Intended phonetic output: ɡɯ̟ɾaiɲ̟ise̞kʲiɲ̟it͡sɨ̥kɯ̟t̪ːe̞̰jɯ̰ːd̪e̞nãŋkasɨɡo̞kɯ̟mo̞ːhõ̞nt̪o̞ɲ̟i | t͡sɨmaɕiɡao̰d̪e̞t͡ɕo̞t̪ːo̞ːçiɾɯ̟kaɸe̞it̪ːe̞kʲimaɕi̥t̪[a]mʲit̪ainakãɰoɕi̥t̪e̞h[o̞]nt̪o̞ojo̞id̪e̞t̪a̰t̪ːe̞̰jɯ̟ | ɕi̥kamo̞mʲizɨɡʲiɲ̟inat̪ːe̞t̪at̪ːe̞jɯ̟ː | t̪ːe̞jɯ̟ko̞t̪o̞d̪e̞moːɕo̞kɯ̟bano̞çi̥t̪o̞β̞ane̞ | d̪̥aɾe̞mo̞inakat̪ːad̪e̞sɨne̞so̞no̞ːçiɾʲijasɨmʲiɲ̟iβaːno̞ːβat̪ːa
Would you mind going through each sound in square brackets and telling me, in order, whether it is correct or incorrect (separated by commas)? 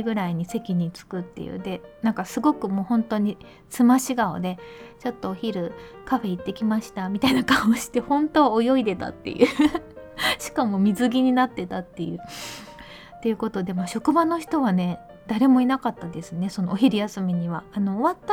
correct, incorrect